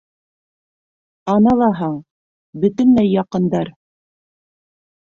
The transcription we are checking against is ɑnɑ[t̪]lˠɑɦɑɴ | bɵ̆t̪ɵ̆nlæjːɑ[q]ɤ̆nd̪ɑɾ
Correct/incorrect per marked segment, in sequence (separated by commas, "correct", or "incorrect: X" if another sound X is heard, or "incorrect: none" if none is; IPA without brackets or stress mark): incorrect: none, correct